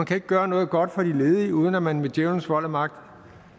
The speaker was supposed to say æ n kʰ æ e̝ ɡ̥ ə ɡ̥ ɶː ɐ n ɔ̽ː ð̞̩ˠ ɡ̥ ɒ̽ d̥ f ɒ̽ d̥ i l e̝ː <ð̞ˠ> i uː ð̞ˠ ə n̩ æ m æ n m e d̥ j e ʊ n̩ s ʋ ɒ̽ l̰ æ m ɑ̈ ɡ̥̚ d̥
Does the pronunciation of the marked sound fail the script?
no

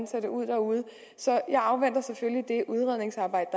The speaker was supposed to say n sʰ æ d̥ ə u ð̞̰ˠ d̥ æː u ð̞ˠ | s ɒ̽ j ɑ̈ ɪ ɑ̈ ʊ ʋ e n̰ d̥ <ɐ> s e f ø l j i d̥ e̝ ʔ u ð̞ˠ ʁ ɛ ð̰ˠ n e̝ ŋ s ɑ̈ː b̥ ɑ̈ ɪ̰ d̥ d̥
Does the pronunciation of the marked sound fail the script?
no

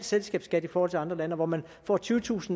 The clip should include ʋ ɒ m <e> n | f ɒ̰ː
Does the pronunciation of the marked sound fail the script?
yes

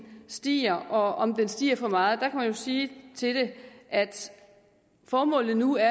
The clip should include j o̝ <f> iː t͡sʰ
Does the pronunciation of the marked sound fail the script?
yes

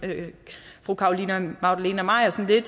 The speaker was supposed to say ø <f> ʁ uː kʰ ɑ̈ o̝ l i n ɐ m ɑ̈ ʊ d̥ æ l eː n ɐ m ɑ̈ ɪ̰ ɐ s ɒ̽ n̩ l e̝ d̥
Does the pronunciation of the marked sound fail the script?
no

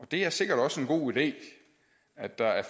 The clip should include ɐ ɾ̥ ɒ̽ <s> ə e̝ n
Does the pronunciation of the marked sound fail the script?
no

